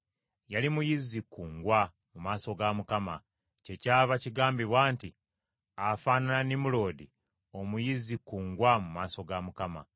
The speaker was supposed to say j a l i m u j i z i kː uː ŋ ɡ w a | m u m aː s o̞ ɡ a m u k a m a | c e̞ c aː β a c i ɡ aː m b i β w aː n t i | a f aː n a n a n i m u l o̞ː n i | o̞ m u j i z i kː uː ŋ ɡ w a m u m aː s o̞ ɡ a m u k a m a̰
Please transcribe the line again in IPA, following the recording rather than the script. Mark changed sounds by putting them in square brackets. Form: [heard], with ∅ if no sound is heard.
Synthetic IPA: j a l i m u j i z i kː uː ŋ ɡ w a | m u m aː s o̞ ɡ a m u k a m a | c e̞ c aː β a c i ɡ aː m b i β w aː n t i | a f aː n a n a n i m u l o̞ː [d] i | o̞ m u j i z i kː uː ŋ ɡ w a m u m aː s o̞ ɡ a m u k a m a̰